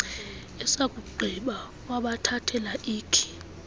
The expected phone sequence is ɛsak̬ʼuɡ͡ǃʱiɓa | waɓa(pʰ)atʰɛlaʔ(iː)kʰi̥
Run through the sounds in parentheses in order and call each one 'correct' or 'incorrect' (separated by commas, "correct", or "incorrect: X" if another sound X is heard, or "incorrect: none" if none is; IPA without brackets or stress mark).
incorrect: tʰ, correct